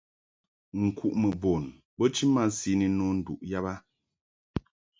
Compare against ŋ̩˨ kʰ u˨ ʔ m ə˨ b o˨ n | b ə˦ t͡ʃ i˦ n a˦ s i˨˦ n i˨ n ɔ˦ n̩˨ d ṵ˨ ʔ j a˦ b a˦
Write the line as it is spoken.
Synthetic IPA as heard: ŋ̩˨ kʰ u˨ ʔ m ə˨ b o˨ n | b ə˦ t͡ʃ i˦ m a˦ s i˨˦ n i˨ n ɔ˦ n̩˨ d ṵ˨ ʔ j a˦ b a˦